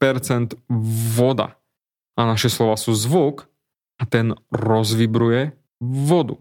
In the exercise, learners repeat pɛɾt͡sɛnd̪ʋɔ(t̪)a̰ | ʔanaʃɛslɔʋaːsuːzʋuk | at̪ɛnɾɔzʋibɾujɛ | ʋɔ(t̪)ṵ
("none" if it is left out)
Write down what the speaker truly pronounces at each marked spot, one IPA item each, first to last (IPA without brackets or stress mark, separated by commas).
d̪, d̪